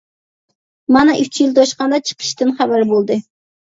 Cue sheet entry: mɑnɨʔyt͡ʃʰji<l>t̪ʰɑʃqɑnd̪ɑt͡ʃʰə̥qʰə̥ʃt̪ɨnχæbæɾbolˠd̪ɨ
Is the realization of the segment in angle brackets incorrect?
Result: no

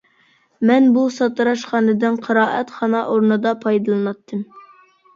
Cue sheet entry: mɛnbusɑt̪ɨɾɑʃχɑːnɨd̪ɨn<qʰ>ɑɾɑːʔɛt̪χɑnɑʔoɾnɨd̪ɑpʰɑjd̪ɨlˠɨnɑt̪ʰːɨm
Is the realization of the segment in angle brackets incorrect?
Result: no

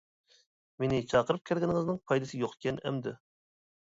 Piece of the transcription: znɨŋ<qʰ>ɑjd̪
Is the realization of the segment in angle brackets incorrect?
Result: yes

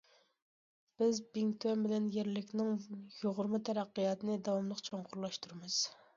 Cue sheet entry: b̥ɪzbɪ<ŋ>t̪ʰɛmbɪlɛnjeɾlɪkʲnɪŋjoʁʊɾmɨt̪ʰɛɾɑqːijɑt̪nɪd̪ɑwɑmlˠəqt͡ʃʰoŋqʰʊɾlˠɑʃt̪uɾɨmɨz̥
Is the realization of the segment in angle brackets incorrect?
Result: no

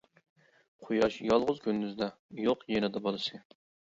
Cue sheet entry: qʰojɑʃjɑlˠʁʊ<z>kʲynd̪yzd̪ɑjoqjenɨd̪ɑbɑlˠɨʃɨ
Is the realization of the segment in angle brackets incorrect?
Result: no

